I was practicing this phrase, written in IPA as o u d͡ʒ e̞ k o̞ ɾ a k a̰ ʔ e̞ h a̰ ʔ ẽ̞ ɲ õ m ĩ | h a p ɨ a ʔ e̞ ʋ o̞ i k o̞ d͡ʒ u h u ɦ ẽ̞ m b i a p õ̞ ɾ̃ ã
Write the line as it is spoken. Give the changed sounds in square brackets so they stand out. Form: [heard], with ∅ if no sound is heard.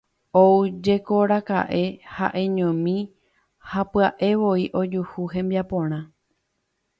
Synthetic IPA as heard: o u d͡ʒ e̞ k o̞ ɾ a k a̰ ʔ e̞ h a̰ ʔ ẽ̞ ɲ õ m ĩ | h a p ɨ a ʔ e̞ ʋ o̞ i [ʔ] o̞ d͡ʒ u h u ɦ ẽ̞ m b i a p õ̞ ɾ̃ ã

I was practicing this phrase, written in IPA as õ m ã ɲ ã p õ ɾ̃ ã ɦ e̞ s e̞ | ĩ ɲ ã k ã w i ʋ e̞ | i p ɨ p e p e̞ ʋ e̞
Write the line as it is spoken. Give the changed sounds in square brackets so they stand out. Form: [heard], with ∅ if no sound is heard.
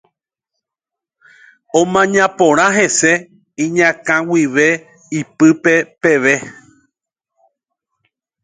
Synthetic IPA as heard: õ m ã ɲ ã p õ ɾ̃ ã ɦ e̞ s e̞ | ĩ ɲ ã k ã w i ʋ e̞ | i p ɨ p e p e̞ ʋ e̞

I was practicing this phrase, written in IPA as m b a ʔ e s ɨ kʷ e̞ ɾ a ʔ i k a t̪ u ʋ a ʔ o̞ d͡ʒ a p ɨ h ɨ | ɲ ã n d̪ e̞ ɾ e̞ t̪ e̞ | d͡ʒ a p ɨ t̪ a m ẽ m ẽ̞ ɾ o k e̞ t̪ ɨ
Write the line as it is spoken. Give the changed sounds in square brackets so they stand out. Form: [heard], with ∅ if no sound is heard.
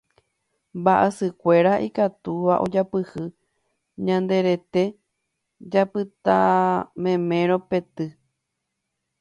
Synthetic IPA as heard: m b a ʔ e s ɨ kʷ e̞ ɾ a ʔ i k a t̪ u ʋ a ʔ o̞ d͡ʒ a p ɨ h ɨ | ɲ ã n d̪ e̞ ɾ e̞ t̪ e̞ | d͡ʒ a p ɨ t̪ a m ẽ m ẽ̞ ɾ o [p] e̞ t̪ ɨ

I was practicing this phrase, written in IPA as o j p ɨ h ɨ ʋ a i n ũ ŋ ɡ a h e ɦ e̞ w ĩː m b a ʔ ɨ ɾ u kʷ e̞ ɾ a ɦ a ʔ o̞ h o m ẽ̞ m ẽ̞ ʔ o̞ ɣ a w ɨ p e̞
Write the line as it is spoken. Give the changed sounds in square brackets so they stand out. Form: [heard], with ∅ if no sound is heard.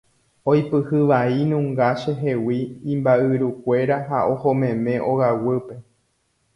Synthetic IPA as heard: o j p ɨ h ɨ ʋ a i n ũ ŋ ɡ a [ʃ] e ɦ e̞ w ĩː m b a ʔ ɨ ɾ u kʷ e̞ ɾ a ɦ a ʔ o̞ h o m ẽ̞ m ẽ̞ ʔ o̞ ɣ a w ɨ p e̞

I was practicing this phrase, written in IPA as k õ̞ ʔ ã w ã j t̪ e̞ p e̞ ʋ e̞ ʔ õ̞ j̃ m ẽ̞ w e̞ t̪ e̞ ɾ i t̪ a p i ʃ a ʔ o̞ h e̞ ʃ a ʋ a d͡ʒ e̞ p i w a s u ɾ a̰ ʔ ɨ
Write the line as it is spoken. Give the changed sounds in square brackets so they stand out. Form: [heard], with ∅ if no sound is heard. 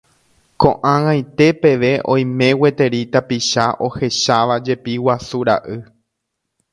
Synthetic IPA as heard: k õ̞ ʔ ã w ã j t̪ e̞ p e̞ ʋ e̞ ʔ õ̞ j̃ m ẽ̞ w e̞ t̪ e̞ ɾ i t̪ a p i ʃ a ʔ o̞ h e̞ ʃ a ʋ a d͡ʒ e̞ p i w a s u ɾ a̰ ʔ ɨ

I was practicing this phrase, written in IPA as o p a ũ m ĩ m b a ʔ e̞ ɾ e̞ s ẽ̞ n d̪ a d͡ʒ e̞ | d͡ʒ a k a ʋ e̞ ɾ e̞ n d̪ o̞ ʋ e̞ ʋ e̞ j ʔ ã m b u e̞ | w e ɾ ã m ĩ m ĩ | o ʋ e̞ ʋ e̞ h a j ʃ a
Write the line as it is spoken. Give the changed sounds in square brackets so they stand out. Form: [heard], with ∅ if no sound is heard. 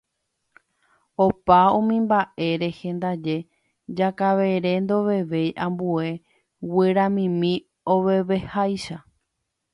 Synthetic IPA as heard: o p a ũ m ĩ m b a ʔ e̞ ɾ e̞ [h] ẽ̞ n d̪ a d͡ʒ e̞ | d͡ʒ a k a ʋ e̞ ɾ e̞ n d̪ o̞ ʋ e̞ ʋ e̞ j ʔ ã m b u e̞ | w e ɾ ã m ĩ m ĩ | o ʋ e̞ ʋ e̞ h a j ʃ a

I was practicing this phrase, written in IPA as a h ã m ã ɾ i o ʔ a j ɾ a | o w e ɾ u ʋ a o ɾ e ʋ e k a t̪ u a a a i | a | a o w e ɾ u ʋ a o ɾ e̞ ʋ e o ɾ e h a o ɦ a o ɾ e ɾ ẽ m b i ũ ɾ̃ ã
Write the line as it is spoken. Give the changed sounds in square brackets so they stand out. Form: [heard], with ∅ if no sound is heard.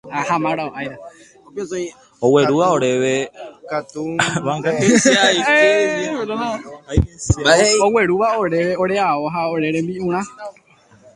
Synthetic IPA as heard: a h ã m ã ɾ [a] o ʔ a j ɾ a | o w e ɾ u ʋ a o ɾ e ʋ e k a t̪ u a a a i | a | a o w e ɾ u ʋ a o ɾ e̞ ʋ e o ɾ e [∅] a o ɦ a o ɾ e ɾ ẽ m b i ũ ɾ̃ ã

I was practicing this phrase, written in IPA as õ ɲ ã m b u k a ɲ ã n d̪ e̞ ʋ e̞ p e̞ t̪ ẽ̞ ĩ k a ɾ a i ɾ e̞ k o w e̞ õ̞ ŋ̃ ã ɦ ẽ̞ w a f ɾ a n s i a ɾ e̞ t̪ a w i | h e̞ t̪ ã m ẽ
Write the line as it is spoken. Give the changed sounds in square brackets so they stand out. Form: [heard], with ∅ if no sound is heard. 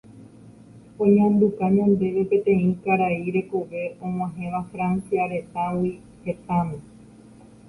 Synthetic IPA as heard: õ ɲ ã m b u k a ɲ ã n d̪ e̞ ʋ e̞ p e̞ t̪ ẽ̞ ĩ k a ɾ a i ɾ e̞ k o [ʋ] e̞ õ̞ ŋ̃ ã ɦ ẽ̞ [ʋ] a f ɾ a n s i a ɾ e̞ t̪ a w i | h e̞ t̪ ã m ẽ

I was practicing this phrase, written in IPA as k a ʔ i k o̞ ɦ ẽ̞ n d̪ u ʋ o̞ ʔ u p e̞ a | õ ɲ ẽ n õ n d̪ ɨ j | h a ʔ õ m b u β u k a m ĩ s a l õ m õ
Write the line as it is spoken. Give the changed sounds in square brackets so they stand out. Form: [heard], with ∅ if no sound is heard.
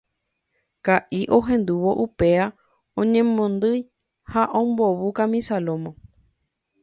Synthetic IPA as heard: k a ʔ i [ʔ] o̞ ɦ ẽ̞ n d̪ u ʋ o̞ ʔ u p e̞ a | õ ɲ ẽ [m] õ n d̪ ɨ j | h a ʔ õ m b [o] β u k a m ĩ s a l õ m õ

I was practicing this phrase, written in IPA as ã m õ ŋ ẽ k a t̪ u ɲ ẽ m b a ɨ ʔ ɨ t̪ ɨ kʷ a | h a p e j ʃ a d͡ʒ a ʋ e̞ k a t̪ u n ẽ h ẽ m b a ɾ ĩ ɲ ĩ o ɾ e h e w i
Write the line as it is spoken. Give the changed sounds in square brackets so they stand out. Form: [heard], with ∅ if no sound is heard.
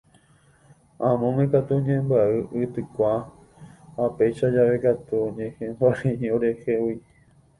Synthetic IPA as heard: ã m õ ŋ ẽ k a t̪ u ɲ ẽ m b a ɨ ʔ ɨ t̪ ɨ kʷ a | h a p e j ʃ a d͡ʒ a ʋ e̞ k a t̪ u [ɲ] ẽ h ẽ m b a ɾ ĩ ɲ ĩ o ɾ e h e w i

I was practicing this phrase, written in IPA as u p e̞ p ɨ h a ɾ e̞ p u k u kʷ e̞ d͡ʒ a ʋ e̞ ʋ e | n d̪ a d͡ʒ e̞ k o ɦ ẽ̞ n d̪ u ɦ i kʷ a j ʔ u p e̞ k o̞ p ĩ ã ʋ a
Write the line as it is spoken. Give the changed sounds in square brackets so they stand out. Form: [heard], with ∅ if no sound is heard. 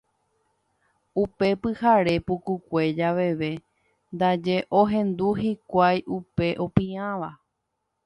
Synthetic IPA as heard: u p e̞ p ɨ h a ɾ e̞ p u k u kʷ e̞ d͡ʒ a ʋ e̞ ʋ e | n d̪ a d͡ʒ e̞ [ʔ] o ɦ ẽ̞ n d̪ u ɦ i kʷ a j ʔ u p e̞ [ʔ] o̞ p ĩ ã ʋ a

